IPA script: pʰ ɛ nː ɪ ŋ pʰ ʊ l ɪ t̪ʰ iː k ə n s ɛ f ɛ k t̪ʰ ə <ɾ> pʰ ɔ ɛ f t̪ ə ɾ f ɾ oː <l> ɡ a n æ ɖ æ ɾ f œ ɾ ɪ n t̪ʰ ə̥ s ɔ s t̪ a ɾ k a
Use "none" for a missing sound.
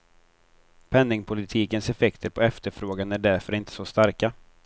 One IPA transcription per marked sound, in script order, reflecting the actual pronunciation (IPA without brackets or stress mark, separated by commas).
ɾ, none